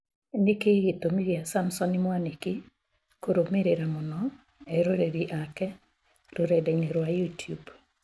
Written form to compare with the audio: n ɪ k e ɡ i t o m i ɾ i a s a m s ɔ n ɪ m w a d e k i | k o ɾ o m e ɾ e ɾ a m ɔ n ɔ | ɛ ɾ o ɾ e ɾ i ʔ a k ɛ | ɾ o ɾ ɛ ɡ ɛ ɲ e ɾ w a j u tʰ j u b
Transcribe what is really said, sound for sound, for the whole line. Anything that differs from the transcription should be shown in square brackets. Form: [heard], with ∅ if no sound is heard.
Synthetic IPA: n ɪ k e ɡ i t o m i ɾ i a s a m s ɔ n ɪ m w a [n] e k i | k o ɾ o m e ɾ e ɾ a m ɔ n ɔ | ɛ ɾ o ɾ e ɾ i ʔ a k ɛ | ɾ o ɾ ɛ [d] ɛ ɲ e ɾ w a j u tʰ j u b